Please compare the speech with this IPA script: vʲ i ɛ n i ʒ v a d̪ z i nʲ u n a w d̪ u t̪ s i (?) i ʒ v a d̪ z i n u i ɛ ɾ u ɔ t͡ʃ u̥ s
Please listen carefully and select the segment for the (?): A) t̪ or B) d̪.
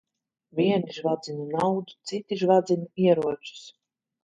A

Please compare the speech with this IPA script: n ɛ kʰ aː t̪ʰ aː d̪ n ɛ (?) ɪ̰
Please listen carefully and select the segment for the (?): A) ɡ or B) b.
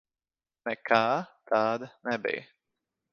B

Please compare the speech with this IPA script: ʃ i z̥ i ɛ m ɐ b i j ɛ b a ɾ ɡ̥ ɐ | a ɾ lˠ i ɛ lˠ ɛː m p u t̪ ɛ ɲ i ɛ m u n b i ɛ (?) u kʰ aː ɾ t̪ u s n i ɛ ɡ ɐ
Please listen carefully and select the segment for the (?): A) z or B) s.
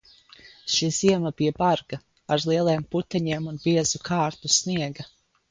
A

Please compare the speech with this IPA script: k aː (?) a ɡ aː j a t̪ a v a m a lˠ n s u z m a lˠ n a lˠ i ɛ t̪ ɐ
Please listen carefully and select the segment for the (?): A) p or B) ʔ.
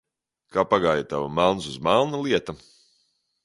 A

